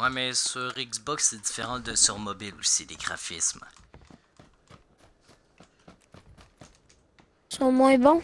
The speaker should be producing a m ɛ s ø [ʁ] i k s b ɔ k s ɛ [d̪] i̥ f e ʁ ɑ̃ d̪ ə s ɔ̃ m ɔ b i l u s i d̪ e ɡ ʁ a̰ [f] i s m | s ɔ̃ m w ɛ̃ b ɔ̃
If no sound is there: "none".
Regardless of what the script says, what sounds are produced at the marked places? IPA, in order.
ʁ, d̪, f

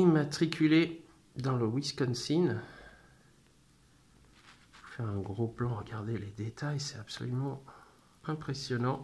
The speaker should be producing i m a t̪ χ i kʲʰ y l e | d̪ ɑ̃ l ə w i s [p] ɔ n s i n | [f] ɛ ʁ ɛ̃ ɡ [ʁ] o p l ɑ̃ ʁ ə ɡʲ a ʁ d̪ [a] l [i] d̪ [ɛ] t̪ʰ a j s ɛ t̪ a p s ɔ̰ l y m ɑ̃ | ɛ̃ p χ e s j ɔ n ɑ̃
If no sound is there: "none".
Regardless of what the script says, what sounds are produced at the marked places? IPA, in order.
k, f, ʁ, e, e, e

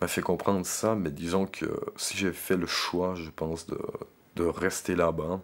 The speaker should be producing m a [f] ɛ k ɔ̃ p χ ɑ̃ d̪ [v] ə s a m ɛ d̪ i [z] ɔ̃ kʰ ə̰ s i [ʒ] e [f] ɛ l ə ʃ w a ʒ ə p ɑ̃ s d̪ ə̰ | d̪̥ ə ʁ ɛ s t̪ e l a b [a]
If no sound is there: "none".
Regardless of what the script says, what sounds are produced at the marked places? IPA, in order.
f, ʁ, z, ʒ, f, a

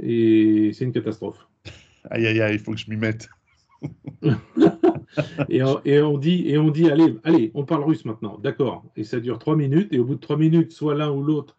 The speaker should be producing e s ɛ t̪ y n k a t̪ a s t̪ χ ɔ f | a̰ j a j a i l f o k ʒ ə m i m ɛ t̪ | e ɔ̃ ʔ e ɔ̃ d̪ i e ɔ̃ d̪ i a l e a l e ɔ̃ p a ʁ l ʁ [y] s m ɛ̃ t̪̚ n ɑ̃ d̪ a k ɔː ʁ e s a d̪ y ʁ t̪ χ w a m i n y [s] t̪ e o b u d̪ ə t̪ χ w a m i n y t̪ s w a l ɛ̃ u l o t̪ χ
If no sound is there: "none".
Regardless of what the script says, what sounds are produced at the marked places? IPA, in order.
y, none

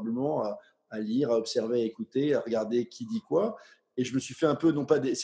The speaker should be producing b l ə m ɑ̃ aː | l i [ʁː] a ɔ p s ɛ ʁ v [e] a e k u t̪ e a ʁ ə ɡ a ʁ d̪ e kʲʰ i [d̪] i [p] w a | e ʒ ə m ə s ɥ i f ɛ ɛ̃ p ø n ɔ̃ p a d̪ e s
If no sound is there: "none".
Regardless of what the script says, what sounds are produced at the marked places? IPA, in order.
ʁ, e, d̪, k

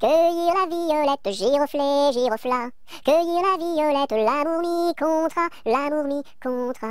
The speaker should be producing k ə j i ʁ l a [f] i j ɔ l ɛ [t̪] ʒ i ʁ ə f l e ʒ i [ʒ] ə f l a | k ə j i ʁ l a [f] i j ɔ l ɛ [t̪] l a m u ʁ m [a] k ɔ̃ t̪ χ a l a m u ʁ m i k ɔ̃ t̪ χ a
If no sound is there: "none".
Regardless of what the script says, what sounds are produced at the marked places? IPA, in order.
v, t̪, ʁ, v, t̪, i

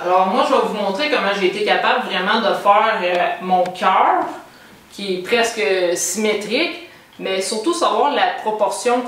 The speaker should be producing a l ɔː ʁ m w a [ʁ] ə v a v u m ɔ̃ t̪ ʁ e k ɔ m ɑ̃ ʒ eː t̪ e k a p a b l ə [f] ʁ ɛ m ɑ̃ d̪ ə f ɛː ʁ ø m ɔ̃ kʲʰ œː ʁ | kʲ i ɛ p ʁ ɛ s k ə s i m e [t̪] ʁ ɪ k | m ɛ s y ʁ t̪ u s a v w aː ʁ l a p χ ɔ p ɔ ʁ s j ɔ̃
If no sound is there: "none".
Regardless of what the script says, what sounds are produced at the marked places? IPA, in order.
ʒ, v, t̪

